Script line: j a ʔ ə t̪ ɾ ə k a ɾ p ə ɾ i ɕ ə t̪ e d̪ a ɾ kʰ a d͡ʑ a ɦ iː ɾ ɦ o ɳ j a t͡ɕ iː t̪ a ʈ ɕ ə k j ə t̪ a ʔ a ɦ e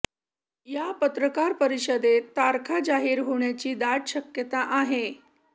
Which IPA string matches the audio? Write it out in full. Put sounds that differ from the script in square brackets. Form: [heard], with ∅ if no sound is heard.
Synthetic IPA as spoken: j a [p] ə t̪ ɾ ə k a ɾ p ə ɾ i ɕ ə [d̪] e [t̪] a ɾ kʰ a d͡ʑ a ɦ iː ɾ ɦ o ɳ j a t͡ɕ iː [d̪] a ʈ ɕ ə k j ə t̪ a ʔ a ɦ e

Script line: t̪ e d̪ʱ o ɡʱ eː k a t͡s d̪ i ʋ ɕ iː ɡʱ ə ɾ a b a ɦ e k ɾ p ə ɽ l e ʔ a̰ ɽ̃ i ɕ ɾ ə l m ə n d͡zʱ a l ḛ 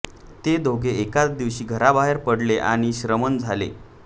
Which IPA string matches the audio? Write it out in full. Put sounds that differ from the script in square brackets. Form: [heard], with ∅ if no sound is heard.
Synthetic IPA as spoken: t̪ e d̪ʱ o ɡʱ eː k a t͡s d̪ i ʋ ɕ iː ɡʱ ə ɾ a b a ɦ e [∅] ɾ p ə ɽ l e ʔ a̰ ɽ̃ i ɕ ɾ ə [∅] m ə n d͡zʱ a l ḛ

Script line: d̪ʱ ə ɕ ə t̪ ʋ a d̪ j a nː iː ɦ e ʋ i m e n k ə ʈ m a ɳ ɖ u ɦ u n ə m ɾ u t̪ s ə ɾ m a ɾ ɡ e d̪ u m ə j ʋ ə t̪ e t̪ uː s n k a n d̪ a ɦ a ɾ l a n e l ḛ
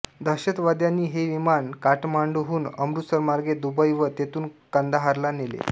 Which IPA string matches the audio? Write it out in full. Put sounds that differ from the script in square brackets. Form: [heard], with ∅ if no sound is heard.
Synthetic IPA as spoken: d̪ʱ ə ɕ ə t̪ ʋ a d̪ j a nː iː ɦ e ʋ i m [a] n k [a] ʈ m a ɳ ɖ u ɦ [uː] n ə m ɾ u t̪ s ə ɾ m a ɾ ɡ e d̪ u [b] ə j ʋ ə t̪ e t̪ uː [∅] n k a n d̪ a ɦ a ɾ l a n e l ḛ

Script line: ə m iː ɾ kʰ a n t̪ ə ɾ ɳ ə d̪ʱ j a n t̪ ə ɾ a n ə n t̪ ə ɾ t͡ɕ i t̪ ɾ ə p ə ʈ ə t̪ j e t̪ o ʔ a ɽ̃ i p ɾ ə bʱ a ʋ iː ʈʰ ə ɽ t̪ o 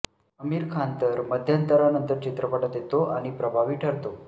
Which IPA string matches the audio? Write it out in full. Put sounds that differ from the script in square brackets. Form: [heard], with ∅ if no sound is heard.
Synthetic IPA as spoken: ə m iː ɾ kʰ a n t̪ ə ɾ [m] ə d̪ʱ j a n t̪ ə ɾ a n ə n t̪ ə ɾ t͡ɕ i t̪ ɾ ə p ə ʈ ə t̪ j e t̪ o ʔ a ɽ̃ i p ɾ ə bʱ a ʋ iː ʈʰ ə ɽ t̪ o

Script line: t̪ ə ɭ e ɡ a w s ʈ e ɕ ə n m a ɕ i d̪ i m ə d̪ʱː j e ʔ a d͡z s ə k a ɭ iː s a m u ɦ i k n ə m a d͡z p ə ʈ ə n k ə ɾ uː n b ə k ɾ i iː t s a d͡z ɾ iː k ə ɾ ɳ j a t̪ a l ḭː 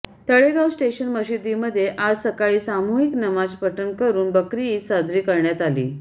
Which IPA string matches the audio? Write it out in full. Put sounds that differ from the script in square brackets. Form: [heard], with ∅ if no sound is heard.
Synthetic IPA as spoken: t̪ ə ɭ e ɡ a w s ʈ e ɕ ə n m [ə] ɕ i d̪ i m ə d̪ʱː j e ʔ a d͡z s ə k a ɭ iː s a m u ɦ i k n ə m a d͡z p ə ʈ ə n k ə ɾ uː n b ə k ɾ i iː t s a d͡z ɾ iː k ə ɾ ɳ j a t̪ a l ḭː

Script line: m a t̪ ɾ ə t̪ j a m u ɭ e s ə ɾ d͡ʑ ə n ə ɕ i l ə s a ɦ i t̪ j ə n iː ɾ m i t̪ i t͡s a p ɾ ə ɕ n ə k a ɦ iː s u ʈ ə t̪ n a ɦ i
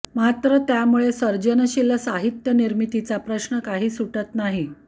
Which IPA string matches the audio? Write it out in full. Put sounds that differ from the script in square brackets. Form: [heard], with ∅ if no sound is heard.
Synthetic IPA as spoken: m a t̪ ɾ ə t̪ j a m u ɭ e s ə ɾ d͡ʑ ə n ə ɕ i l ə s a ɦ i t̪ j ə n [i] ɾ m i t̪ i t͡s a p ɾ ə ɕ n ə k a ɦ iː s u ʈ ə t̪ n a ɦ i

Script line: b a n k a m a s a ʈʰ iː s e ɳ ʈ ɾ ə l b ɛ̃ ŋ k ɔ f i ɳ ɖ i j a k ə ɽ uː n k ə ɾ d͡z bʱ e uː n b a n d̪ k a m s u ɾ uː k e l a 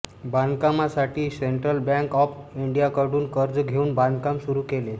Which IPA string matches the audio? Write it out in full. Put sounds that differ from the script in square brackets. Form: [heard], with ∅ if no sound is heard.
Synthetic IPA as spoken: b a n k a m a s a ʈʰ iː s e ɳ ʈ ɾ ə l b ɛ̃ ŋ k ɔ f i ɳ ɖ i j a k ə ɽ uː n k ə ɾ d͡z [ɡʱ] e uː n b a n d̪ k a m s u ɾ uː k e l [e]

